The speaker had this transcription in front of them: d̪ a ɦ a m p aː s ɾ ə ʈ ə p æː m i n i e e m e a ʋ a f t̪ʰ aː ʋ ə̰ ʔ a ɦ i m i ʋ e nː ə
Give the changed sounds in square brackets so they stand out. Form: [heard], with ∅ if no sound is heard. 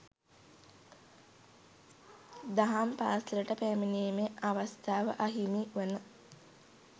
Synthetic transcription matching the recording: d̪ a ɦ a m p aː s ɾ ə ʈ ə p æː m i n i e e m e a ʋ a [s] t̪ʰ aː ʋ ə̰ ʔ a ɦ i m i ʋ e [n] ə